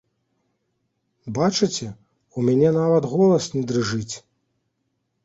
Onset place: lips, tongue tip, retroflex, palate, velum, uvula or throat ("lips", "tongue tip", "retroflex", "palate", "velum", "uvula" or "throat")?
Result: lips